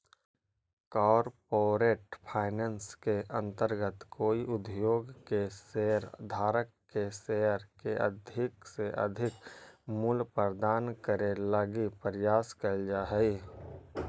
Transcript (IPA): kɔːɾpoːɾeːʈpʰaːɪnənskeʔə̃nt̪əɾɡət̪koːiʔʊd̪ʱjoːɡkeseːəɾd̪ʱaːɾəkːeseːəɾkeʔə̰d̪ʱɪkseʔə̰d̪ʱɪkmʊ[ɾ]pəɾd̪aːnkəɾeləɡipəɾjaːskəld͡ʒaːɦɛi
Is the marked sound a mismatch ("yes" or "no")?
yes